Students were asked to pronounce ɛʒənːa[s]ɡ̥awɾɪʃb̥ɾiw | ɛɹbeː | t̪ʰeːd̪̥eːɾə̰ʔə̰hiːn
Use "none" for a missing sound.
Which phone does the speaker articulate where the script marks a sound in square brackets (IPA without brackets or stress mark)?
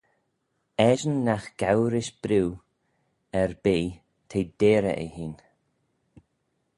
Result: x